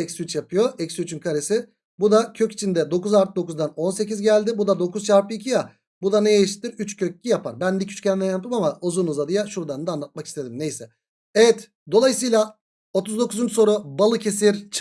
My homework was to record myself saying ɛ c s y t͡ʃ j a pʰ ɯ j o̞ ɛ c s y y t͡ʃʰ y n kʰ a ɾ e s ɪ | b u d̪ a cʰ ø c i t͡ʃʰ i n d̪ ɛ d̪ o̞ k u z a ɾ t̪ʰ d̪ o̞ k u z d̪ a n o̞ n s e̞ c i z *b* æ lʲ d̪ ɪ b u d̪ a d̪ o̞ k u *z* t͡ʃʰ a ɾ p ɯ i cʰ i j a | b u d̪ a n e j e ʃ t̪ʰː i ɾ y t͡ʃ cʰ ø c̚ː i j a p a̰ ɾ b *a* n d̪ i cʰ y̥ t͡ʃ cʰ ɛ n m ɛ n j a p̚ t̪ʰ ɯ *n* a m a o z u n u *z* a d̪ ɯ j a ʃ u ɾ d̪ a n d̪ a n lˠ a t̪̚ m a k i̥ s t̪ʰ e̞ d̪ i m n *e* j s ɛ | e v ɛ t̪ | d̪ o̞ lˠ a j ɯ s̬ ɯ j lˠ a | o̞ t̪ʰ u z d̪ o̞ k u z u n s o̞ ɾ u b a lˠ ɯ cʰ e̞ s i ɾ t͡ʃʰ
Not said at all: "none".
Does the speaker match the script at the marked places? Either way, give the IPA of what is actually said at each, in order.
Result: ɟ, z, æ, m, z, e

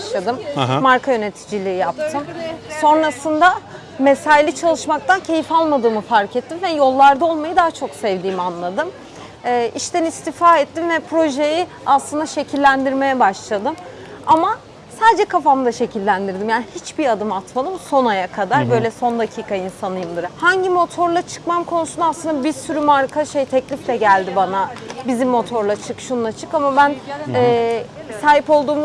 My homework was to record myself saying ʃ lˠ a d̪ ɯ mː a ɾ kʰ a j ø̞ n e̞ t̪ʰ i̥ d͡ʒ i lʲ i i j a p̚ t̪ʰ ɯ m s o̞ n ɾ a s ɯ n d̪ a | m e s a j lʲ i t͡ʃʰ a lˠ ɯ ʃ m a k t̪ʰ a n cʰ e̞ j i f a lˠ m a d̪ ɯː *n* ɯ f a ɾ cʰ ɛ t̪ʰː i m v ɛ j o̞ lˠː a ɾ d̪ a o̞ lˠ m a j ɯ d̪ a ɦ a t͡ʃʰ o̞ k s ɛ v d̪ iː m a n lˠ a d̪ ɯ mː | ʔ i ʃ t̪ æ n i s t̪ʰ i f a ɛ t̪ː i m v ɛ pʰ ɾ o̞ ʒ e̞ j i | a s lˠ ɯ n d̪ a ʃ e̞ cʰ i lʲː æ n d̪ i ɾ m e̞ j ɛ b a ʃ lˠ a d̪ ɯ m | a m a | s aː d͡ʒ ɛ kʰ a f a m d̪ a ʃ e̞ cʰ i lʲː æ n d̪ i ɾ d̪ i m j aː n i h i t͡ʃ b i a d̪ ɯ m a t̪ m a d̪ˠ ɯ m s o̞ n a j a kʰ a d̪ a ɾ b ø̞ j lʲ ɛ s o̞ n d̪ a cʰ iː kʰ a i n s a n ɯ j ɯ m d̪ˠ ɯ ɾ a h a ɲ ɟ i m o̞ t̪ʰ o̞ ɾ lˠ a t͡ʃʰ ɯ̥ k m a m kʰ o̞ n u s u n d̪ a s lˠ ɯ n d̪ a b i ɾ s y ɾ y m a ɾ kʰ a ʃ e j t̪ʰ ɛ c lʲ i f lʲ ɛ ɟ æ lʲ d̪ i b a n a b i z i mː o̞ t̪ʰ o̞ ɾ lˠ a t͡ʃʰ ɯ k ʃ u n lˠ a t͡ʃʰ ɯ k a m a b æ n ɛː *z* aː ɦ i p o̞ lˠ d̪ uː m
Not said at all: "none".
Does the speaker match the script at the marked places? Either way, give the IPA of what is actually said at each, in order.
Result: m, s

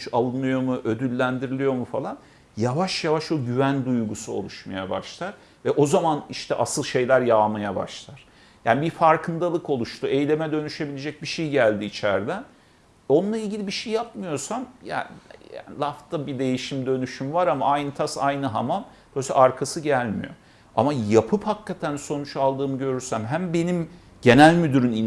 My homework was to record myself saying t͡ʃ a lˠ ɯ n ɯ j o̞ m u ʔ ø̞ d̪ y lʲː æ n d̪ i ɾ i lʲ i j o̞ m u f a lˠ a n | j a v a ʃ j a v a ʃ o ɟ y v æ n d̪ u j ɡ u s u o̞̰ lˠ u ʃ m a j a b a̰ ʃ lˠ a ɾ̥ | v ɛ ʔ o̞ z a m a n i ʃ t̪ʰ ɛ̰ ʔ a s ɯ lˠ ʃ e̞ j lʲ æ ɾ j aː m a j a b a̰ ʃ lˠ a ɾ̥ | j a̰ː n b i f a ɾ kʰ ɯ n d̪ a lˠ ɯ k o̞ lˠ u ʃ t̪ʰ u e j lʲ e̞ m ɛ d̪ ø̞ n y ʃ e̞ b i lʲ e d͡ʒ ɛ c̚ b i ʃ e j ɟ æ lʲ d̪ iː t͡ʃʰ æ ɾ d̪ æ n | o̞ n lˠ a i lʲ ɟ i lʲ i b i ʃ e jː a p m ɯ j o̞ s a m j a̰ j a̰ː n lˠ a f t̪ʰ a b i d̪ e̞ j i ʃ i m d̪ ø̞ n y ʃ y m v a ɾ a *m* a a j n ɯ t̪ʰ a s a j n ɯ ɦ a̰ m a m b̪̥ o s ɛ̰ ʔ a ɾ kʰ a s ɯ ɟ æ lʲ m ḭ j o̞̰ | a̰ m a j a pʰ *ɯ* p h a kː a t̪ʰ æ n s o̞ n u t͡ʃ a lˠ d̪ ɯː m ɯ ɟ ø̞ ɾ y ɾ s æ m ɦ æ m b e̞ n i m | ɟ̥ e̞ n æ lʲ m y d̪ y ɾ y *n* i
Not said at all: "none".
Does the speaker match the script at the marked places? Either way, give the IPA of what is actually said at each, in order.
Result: m, ɯ, n

